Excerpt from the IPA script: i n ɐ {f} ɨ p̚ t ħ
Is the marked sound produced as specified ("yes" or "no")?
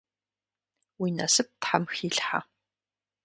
no